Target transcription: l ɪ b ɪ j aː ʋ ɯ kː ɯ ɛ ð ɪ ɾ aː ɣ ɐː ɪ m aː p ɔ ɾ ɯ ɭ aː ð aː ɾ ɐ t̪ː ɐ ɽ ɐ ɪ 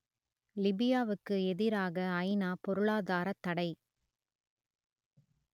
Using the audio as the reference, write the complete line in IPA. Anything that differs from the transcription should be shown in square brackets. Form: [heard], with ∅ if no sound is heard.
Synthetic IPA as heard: l ɪ b ɪ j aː ʋ ɯ kː ɯ ɛ ð ɪ ɾ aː ɣ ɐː ɪ [n] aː p ɔ ɾ ɯ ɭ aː ð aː ɾ ɐ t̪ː ɐ ɽ ɐ ɪ